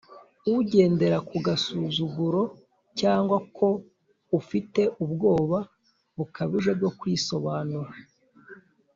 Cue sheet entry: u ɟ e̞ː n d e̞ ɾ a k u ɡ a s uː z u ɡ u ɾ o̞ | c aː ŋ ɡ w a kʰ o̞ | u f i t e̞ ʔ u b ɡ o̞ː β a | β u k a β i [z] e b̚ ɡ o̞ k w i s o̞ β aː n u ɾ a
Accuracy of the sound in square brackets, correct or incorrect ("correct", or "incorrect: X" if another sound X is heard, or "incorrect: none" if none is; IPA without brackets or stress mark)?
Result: incorrect: ʒ